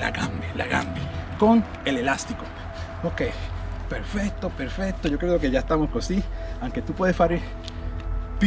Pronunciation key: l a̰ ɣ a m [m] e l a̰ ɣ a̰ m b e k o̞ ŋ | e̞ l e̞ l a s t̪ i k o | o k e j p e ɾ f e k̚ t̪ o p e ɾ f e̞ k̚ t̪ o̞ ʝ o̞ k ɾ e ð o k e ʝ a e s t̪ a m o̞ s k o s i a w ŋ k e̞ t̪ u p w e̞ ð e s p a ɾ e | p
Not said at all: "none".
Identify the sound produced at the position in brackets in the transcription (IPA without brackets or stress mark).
b